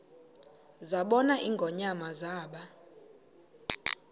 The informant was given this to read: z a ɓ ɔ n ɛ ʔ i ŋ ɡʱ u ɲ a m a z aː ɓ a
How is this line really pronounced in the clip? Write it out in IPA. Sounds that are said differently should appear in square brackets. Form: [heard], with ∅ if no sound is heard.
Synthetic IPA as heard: z a ɓ ɔ n [a] ʔ i ŋ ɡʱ [ɔ] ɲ a m a z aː ɓ a